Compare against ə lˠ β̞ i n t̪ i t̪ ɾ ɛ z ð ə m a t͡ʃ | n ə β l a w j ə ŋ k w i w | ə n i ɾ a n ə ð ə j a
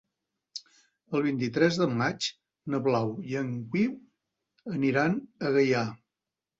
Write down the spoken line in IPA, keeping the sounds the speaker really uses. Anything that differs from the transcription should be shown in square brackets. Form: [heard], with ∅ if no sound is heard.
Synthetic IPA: ə lˠ β̞ i n t̪ i t̪ ɾ ɛ z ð ə m a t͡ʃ | n ə β l a w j ə ŋ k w i w | ə n i ɾ a n ə [ɣ] ə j a